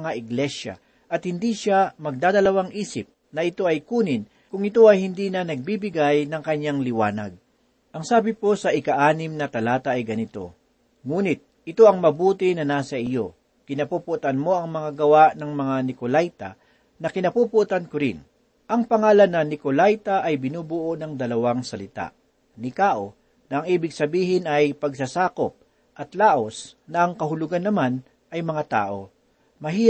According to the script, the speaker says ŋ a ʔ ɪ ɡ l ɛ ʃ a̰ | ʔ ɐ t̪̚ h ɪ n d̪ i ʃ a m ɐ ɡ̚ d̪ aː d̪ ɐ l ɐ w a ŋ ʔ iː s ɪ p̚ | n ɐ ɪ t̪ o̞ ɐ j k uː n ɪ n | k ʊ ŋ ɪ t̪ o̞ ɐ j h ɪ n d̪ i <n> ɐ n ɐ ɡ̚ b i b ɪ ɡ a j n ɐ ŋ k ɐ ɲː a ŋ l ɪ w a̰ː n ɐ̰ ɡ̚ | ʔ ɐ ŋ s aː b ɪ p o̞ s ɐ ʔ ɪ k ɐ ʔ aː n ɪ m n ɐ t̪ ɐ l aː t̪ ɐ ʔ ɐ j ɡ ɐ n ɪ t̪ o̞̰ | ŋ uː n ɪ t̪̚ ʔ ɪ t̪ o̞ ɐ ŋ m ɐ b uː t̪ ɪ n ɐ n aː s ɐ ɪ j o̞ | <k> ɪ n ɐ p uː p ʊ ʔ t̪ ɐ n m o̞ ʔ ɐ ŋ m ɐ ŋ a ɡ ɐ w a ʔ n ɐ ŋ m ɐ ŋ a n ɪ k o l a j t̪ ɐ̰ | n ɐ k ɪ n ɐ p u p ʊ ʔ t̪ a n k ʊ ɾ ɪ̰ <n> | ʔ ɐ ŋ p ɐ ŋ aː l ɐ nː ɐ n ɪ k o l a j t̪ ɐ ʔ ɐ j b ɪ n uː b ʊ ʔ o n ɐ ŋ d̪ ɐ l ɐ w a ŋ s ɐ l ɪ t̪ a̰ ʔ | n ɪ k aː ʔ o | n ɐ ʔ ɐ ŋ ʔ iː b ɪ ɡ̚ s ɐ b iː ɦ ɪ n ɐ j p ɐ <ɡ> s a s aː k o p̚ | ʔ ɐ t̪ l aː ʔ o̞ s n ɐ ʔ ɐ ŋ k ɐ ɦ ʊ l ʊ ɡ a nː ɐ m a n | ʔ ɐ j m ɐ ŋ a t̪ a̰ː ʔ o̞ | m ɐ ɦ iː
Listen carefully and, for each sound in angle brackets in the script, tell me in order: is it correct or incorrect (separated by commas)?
correct, correct, correct, correct